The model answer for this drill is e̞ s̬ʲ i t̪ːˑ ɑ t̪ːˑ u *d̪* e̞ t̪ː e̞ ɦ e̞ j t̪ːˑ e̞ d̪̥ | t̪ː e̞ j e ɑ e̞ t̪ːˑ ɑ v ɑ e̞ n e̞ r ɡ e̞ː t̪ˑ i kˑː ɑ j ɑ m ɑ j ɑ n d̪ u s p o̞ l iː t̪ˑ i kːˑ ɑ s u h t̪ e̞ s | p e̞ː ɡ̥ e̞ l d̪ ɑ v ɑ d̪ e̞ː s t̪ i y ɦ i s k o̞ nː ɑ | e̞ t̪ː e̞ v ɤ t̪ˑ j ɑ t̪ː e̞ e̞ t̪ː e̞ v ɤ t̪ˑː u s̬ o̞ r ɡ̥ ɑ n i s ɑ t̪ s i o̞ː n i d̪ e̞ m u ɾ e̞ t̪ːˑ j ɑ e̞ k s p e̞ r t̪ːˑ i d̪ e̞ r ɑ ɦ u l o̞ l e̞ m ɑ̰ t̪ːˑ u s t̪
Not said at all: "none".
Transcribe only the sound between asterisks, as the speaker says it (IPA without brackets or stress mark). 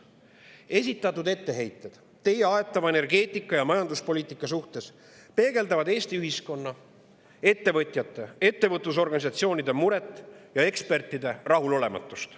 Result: d̪